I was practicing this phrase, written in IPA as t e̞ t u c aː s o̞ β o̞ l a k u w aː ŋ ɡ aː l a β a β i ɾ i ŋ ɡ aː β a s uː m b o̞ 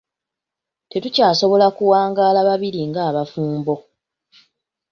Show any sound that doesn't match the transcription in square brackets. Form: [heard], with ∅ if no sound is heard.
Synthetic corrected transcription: t e̞ t u c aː s o̞ β o̞ l a k u w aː ŋ ɡ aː l a β a β i ɾ i ŋ ɡ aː β a [f] uː m b o̞